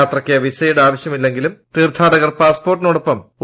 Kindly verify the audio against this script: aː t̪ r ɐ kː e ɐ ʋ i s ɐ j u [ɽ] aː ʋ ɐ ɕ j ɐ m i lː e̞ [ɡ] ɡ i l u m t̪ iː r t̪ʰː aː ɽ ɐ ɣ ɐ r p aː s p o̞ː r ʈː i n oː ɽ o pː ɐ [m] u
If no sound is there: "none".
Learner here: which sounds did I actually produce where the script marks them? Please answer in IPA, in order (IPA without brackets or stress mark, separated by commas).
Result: ɽ, ŋ, m